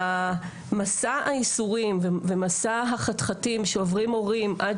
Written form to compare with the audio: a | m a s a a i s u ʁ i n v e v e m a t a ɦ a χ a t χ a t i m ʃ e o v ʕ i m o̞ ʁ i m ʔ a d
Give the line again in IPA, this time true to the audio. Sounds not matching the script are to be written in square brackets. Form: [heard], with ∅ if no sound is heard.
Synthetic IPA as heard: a | m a s a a i s u ʁ i [m] v e v e m a [s] a ɦ a χ a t χ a t i m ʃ e o v [ʁ] i m o̞ ʁ i m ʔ a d